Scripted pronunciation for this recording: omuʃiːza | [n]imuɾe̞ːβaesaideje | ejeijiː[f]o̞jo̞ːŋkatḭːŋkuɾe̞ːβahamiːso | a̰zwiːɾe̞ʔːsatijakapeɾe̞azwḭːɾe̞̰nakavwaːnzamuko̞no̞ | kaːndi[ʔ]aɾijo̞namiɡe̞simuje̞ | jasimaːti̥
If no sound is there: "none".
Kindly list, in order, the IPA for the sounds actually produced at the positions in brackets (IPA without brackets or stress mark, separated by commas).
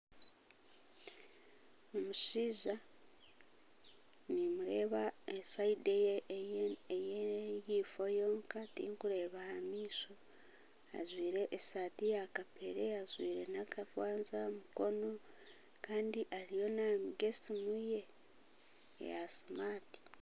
n, f, ʔ